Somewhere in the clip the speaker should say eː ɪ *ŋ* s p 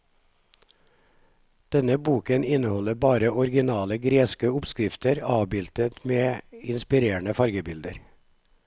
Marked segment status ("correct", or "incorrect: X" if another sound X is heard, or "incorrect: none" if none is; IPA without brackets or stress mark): incorrect: n